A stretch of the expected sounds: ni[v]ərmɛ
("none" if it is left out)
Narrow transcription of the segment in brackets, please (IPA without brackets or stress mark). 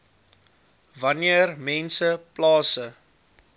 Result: none